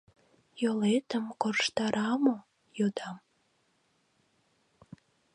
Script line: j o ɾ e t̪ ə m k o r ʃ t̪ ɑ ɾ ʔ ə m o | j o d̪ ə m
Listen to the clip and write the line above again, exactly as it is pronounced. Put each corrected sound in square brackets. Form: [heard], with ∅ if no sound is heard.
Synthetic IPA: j o [l] e t̪ ə m k o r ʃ t̪ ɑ ɾ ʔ [ɑ] m o | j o d̪ [ɑ] m